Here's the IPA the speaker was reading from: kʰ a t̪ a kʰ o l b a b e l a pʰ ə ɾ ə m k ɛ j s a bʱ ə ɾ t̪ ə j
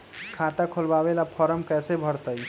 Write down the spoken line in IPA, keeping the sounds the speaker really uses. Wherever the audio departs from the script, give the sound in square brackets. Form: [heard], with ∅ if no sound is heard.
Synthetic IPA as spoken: kʰ a t̪ a kʰ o l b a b e l a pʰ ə ɾ ə m k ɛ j s [e] bʱ ə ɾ t̪ ə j